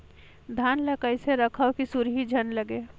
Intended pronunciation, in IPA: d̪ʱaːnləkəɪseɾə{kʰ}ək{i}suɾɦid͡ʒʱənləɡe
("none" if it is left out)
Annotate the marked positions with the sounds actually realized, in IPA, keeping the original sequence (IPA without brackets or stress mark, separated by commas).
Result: kʰ, i